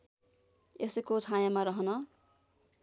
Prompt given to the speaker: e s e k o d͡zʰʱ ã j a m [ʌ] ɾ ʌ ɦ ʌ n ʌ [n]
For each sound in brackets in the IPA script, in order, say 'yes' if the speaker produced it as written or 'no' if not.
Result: no, no

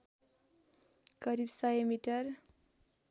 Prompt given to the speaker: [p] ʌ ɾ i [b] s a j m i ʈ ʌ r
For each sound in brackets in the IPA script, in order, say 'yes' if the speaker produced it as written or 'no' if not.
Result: no, yes

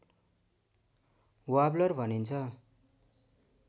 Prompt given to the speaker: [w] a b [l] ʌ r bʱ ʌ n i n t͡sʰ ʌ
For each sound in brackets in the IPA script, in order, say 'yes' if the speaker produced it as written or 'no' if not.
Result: yes, yes

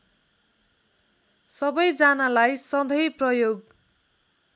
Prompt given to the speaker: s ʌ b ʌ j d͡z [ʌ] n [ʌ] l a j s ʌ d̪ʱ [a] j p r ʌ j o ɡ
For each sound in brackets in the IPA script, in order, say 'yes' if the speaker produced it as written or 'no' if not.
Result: no, no, no

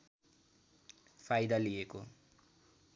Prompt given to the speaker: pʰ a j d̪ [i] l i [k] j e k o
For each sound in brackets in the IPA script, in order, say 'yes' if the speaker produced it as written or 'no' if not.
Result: no, no

